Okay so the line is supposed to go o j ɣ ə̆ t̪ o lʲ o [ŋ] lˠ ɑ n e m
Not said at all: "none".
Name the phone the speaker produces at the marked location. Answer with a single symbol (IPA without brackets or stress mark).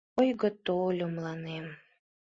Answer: m